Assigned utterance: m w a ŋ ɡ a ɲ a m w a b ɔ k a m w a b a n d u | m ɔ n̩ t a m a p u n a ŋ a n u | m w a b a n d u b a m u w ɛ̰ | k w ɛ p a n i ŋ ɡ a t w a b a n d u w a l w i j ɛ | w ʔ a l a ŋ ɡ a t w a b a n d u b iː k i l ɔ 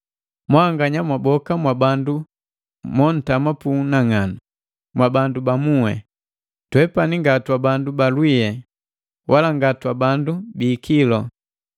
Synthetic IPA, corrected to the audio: m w a ŋ ɡ a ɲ a m w a b ɔ k a m w a b a n d u | m ɔ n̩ t a m a p u n a ŋ a n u | m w a b a n d u b a m u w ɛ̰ | t w ɛ p a n i ŋ ɡ a t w a b a n d u b a l w i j ɛ | w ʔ a l a ŋ ɡ a t w a b a n d u b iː k i l ɔ